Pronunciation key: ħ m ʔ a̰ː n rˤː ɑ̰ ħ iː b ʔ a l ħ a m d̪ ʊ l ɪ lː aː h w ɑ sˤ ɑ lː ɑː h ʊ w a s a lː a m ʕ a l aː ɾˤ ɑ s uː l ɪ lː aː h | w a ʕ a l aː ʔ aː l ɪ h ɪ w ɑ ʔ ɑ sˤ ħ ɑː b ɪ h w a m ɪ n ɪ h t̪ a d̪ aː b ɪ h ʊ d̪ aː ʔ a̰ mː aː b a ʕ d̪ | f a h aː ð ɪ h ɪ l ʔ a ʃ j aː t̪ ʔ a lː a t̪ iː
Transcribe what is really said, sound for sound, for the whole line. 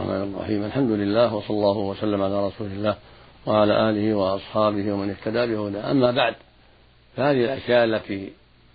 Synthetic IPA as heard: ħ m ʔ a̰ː n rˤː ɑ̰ ħ iː m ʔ a l ħ a m d̪ ʊ l ɪ lː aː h w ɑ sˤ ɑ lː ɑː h ʊ w a s a lː a m ʕ a l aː ɾˤ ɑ s uː l ɪ lː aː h | w a ʕ a l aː ʔ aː l ɪ h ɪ w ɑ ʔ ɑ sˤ ħ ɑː b ɪ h w a m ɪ n ɪ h t̪ a d̪ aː b ɪ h ʊ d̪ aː ʔ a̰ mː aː b a ʕ d̪ | f a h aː ð ɪ h ɪ l ʔ a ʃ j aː ʔ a lː a t̪ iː